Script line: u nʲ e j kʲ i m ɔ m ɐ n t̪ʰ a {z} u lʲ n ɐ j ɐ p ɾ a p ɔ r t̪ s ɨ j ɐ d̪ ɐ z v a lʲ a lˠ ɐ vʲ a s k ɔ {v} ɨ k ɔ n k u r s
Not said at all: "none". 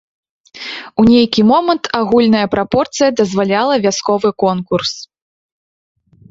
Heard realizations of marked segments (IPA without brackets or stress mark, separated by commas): ɣ, v